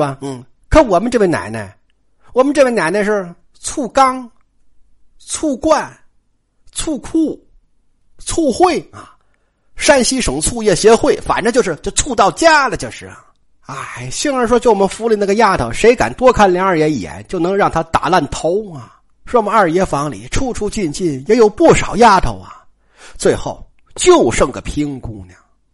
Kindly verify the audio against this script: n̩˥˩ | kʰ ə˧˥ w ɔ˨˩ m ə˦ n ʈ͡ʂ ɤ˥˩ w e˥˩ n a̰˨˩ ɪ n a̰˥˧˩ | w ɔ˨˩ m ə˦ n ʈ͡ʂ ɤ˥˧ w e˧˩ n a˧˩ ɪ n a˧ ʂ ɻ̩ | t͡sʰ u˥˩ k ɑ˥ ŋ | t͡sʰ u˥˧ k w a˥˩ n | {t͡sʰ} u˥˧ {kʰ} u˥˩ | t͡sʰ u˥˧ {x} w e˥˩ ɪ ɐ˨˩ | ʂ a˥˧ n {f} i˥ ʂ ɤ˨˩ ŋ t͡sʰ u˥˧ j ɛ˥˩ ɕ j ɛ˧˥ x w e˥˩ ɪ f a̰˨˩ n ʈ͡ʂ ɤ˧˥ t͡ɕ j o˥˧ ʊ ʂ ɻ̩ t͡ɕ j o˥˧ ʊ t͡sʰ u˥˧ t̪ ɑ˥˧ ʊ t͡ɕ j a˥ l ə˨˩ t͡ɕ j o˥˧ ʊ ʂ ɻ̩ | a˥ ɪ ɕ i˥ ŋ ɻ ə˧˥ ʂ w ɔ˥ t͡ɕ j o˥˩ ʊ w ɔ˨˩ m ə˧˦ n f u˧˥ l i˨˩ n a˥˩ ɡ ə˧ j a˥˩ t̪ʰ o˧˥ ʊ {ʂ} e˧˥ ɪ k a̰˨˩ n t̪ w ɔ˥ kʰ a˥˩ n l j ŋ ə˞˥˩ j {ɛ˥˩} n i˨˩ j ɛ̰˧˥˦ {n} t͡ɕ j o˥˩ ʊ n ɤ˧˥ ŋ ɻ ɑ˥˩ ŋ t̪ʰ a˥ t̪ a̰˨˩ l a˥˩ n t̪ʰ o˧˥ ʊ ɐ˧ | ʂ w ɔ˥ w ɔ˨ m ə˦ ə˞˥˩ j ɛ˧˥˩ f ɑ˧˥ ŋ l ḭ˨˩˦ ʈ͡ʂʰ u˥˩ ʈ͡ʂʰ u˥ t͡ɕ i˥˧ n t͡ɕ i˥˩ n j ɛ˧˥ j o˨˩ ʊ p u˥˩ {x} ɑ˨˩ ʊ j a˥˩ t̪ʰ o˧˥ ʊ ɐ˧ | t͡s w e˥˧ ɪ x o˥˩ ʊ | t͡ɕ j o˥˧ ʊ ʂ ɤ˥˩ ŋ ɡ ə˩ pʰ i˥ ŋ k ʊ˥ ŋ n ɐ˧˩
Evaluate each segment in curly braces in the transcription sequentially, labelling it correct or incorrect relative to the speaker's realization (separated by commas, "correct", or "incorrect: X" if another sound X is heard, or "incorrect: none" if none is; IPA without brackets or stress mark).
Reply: correct, correct, correct, incorrect: ɕ, correct, incorrect: ɛ˧˥, correct, incorrect: ʂ